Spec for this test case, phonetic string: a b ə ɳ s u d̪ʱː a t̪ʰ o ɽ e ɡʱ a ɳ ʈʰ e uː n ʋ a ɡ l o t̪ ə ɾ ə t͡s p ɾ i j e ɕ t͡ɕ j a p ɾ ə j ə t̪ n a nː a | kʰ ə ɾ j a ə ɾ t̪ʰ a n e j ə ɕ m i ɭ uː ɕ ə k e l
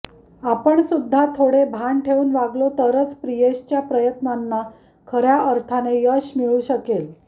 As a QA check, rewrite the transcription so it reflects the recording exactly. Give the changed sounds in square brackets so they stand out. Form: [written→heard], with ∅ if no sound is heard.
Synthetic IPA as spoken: a [b→p] ə ɳ s u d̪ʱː a t̪ʰ o ɽ e [ɡʱ→bʱ] a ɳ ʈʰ e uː n ʋ a ɡ l o t̪ ə ɾ ə t͡s p ɾ i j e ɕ t͡ɕ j a p ɾ ə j ə t̪ n a nː a | kʰ ə ɾ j a ə ɾ t̪ʰ a n e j ə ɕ m i ɭ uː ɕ ə k e l